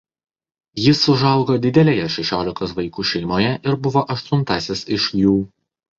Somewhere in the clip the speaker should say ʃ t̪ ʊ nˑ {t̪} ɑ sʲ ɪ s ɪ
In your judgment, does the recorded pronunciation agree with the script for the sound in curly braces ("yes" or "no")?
yes